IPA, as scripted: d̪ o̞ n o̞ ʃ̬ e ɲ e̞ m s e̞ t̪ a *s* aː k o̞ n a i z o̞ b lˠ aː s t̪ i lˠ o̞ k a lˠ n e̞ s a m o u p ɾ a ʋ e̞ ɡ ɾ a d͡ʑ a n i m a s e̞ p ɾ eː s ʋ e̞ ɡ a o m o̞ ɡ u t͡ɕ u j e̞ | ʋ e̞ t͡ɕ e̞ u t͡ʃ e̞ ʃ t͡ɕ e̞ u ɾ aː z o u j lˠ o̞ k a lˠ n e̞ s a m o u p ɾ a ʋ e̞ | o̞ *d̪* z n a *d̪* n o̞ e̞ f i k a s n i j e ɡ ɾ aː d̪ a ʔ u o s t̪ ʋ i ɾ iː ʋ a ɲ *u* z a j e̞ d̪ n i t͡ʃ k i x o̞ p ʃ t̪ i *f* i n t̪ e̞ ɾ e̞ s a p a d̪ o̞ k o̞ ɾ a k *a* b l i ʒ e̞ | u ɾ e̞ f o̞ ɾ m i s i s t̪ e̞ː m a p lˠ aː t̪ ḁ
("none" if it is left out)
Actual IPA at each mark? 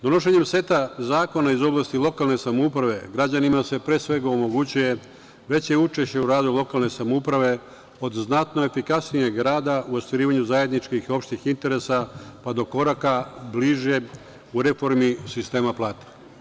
z, d̪, t̪, u, x, a

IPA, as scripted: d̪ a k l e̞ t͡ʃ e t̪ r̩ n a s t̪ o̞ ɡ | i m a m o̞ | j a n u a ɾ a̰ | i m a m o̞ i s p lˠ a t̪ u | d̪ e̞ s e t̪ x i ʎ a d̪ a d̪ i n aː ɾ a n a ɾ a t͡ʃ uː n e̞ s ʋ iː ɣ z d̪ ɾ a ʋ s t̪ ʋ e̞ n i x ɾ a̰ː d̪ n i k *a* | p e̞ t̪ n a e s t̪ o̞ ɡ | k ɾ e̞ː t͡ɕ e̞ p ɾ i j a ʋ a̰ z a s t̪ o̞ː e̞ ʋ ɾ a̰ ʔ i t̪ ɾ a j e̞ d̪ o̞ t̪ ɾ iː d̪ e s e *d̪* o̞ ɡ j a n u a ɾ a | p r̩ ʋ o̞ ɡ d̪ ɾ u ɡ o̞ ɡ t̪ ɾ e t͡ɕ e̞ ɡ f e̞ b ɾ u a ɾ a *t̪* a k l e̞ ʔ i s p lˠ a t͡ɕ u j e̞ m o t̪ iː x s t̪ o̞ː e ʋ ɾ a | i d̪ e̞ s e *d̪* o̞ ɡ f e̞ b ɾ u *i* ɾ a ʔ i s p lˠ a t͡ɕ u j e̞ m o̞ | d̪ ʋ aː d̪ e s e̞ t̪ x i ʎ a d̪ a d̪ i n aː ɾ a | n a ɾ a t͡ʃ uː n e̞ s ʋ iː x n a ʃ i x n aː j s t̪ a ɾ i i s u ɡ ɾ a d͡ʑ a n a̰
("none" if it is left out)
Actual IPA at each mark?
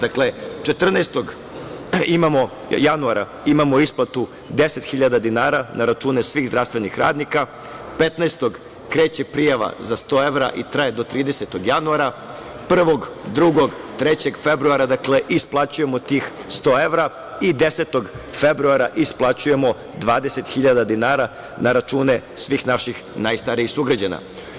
a, t̪, d̪, t̪, a

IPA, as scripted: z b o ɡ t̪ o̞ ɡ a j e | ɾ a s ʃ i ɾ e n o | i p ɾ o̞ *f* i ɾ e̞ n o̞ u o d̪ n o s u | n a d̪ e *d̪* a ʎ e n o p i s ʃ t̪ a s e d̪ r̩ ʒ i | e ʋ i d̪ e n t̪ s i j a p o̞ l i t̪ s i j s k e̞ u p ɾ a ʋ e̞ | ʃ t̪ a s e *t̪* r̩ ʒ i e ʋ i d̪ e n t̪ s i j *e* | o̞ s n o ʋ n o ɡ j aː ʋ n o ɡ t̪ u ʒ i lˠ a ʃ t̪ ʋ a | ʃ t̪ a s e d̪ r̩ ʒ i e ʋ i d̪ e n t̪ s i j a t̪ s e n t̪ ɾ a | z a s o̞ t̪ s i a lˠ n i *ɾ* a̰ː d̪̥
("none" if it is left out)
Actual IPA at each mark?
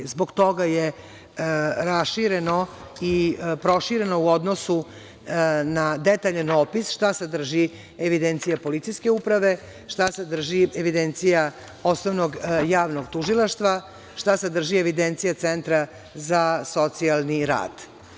ʃ, t̪, d̪, a, ɾ

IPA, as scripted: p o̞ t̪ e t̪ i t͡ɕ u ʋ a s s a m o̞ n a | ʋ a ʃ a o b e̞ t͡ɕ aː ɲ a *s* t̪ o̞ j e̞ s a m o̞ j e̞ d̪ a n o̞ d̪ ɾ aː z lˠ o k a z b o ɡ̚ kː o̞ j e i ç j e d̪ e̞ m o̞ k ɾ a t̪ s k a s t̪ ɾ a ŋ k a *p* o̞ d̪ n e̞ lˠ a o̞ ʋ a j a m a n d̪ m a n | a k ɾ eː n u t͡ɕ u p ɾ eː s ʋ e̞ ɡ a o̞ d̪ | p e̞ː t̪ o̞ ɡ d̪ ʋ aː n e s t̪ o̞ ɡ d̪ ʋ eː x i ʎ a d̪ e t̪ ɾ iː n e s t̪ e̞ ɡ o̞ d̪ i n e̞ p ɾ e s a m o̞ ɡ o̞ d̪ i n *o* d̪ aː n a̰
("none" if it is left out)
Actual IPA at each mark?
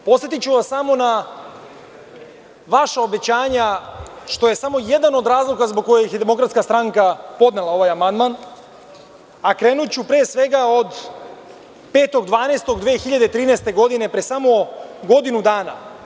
ʃ, p, u

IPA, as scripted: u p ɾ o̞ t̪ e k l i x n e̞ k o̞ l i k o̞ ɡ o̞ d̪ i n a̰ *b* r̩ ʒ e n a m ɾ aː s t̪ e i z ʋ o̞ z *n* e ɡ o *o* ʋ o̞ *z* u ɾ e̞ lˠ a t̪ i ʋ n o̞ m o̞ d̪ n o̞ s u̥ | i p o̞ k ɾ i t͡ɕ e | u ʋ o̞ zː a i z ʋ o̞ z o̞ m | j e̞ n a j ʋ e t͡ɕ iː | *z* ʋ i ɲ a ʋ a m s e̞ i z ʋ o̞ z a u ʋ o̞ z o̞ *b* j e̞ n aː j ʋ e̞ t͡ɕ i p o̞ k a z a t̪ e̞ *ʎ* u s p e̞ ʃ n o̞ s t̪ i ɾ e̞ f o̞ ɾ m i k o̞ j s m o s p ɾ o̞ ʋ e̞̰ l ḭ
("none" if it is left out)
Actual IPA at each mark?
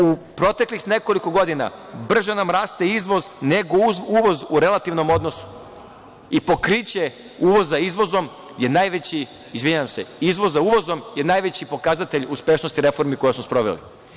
b, n, u, z, z, m, ʎ

